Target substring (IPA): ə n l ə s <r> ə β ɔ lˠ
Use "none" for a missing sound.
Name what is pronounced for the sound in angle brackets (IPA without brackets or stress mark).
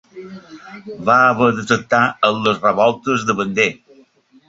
r